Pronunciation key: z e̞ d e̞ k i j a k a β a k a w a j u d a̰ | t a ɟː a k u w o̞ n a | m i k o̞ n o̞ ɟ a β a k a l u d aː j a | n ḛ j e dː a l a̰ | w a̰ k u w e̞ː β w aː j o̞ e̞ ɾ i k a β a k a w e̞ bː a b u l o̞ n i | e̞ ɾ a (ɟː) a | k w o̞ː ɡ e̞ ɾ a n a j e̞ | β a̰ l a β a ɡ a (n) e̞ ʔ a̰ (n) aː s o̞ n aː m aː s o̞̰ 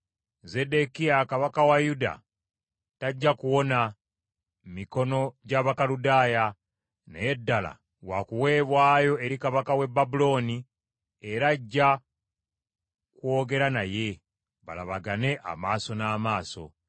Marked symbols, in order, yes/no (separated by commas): yes, yes, no